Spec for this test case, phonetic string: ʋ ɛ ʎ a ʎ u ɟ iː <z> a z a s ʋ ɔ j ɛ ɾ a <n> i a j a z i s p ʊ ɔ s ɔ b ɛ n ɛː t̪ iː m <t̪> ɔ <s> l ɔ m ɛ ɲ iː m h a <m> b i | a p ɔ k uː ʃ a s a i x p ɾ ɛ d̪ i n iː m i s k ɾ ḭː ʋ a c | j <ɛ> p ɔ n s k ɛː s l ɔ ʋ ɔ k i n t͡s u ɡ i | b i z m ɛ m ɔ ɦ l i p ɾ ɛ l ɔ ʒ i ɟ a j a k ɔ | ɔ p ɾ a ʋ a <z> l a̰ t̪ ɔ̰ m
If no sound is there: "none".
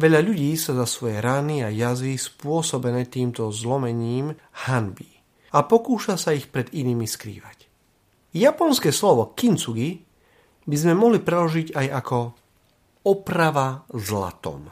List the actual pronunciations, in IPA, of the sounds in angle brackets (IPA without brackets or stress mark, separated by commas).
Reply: s, n, t̪, z, n, a, z